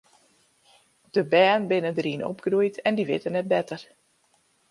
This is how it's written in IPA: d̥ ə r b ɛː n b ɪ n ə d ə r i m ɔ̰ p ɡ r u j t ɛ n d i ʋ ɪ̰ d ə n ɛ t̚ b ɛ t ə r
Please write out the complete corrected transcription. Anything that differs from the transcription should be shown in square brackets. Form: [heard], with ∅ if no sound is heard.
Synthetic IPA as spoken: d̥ ə [∅] b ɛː n b ɪ n ə d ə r i [n] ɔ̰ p ɡ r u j t ɛ n d i ʋ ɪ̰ [t] ə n ɛ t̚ b ɛ t ə r